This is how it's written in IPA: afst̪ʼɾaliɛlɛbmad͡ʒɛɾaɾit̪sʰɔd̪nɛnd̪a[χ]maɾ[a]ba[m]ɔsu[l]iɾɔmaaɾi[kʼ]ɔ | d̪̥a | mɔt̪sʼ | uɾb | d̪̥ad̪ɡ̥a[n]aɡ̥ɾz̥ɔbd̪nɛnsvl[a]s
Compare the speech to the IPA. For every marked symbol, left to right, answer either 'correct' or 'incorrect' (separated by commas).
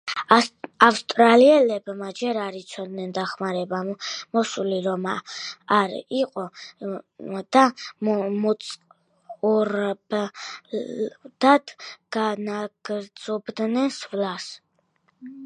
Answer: correct, incorrect, correct, correct, incorrect, correct, correct